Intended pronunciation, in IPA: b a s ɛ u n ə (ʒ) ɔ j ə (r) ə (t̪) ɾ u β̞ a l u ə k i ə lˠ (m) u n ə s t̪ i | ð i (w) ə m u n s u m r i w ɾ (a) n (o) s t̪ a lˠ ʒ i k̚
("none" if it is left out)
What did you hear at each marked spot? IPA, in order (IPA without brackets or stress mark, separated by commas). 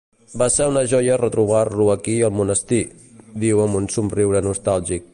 ʒ, r, t̪, m, w, ə, u